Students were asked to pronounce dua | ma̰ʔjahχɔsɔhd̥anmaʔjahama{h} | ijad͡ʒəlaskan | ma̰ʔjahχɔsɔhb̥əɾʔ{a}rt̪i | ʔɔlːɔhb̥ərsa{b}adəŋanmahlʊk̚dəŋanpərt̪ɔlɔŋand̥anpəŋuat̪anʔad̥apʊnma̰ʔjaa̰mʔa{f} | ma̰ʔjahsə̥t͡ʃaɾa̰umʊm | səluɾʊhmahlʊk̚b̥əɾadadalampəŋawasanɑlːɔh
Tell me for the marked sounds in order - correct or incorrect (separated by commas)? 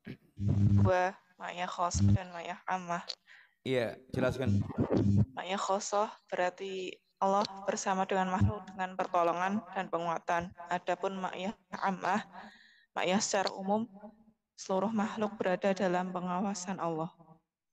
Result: correct, correct, incorrect, incorrect